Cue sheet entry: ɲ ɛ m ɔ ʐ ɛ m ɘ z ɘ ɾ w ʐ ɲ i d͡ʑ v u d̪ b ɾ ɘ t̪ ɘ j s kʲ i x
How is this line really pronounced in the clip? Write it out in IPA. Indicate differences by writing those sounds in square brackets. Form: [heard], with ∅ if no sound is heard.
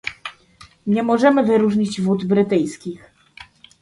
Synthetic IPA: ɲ ɛ m ɔ ʐ ɛ m ɘ [v] ɘ ɾ [u] ʐ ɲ i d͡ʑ v u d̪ b ɾ ɘ t̪ ɘ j s kʲ i x